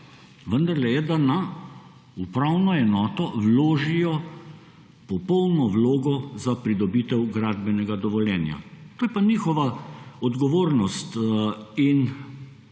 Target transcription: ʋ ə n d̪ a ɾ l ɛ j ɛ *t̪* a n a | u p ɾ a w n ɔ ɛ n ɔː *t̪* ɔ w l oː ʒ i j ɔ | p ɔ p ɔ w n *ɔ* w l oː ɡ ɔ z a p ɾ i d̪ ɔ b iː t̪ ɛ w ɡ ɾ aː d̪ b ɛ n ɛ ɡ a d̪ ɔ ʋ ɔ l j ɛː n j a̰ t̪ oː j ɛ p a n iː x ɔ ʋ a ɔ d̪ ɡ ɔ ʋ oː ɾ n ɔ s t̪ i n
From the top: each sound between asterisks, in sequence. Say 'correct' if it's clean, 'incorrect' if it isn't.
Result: incorrect: d̪, correct, correct

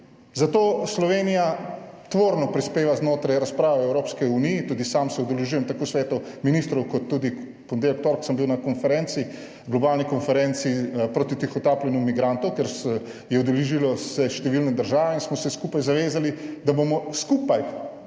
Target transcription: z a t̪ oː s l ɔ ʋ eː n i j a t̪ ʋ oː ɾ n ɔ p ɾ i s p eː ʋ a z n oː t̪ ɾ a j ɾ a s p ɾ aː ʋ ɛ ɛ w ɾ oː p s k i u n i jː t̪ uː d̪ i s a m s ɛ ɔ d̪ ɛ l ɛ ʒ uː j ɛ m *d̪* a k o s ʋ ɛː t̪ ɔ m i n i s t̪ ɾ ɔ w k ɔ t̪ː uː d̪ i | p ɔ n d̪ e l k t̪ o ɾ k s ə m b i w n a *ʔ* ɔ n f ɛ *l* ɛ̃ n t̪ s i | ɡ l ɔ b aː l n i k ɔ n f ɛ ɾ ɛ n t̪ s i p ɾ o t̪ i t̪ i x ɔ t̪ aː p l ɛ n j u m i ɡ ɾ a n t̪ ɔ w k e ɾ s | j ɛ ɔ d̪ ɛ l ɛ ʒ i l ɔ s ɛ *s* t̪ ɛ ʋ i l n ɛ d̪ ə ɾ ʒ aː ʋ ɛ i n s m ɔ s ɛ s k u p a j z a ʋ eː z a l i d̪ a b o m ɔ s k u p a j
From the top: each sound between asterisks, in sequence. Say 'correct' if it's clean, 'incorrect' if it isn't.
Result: incorrect: t̪, incorrect: k, incorrect: ɾ, incorrect: ʃ

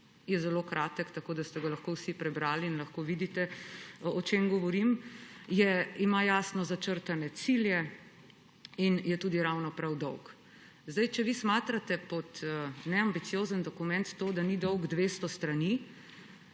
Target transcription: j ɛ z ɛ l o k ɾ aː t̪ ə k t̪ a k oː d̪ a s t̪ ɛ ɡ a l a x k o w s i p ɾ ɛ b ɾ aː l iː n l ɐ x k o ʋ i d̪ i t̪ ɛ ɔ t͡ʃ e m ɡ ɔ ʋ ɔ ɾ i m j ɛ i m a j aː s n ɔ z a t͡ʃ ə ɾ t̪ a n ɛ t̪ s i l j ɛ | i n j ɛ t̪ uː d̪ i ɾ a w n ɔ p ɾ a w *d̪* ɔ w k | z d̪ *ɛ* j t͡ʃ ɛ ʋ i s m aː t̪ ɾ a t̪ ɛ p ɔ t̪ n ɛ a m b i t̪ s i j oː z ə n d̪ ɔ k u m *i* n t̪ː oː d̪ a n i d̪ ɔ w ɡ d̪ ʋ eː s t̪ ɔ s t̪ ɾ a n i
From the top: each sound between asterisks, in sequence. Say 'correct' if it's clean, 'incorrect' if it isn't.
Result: correct, incorrect: a, incorrect: ɛ

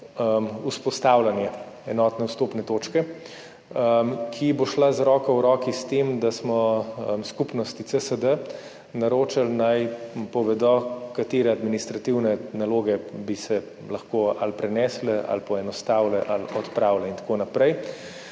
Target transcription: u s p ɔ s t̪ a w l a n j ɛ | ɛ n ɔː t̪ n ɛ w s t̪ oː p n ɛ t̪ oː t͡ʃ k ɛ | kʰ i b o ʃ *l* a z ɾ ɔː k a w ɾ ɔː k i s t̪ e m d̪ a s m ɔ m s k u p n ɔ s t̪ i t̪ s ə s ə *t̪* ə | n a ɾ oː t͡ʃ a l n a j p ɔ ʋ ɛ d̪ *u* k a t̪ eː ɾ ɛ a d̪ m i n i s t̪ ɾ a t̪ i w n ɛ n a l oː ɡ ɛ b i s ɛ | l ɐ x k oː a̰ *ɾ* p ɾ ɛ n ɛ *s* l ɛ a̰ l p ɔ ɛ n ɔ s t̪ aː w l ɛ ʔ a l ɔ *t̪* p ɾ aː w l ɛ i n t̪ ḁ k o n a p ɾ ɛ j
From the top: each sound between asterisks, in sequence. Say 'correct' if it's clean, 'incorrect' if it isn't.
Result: correct, incorrect: d̪, incorrect: ɔ, incorrect: l, correct, correct

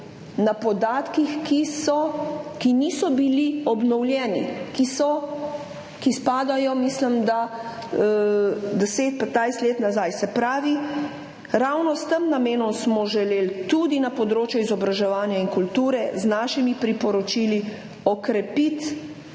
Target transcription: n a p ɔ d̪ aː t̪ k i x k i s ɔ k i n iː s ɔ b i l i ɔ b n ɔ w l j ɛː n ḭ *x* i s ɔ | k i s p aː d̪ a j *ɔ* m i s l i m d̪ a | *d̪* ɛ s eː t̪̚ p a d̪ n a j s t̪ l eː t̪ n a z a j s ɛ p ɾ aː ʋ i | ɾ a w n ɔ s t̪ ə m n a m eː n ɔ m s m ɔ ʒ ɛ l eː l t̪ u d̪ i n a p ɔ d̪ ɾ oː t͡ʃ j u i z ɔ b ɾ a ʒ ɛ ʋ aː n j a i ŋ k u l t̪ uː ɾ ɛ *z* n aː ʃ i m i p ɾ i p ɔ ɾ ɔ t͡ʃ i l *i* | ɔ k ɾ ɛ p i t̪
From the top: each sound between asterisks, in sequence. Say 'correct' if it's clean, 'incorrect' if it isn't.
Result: incorrect: k, correct, correct, correct, correct

